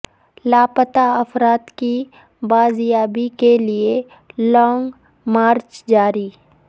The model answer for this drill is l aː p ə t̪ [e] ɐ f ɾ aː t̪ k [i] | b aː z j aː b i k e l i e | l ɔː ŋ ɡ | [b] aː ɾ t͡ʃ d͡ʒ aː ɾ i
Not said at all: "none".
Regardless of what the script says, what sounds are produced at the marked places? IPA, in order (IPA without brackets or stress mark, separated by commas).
a, i, m